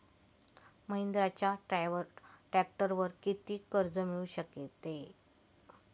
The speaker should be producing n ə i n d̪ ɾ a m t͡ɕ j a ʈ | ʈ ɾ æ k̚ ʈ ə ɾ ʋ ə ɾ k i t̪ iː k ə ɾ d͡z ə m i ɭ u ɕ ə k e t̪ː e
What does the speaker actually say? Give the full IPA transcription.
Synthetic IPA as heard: m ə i n d̪ ɾ a t͡ɕ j a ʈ | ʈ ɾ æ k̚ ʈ ə ɾ ʋ ə ɾ k i t̪ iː k ə ɾ d͡z ə m i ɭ u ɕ ə k e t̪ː e